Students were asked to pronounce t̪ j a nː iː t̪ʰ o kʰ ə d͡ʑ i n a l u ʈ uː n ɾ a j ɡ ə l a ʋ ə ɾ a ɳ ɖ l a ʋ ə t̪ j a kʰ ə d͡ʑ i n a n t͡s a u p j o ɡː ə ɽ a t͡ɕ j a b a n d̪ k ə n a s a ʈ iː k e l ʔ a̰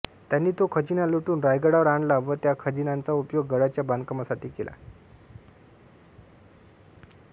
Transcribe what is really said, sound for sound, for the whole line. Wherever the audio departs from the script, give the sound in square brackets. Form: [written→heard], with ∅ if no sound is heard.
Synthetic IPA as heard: t̪ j a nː iː [t̪ʰ→t̪] o kʰ ə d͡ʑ i n a l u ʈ uː n ɾ a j ɡ ə [l→ɽ] a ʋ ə ɾ a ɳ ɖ l a ʋ ə t̪ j a kʰ ə d͡ʑ i n a n t͡s a u p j o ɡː ə ɽ a t͡ɕ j a b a n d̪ k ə [n→m] a s a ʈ iː k e l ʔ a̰